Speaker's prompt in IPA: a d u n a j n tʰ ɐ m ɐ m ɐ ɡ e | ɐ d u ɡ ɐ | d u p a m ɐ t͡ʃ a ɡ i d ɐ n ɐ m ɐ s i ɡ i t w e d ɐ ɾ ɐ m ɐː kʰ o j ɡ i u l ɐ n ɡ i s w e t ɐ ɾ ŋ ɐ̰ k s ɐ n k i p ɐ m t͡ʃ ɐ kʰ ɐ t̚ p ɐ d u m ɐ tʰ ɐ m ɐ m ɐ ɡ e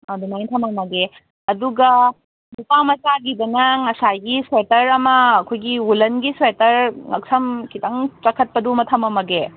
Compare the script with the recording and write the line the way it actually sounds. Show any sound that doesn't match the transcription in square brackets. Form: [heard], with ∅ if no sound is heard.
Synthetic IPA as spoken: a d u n a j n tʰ ɐ m ɐ m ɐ ɡ e | ɐ d u ɡ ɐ | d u p a m ɐ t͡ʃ a ɡ i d ɐ n ɐ [ŋ] ɐ s [a] ɡ i [s] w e [t] ɐ ɾ ɐ m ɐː kʰ o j ɡ i u l ɐ n ɡ i s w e t ɐ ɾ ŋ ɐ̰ k s ɐ [m] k i [t] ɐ [ŋ] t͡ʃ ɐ kʰ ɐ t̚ p ɐ d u m ɐ tʰ ɐ m ɐ m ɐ ɡ e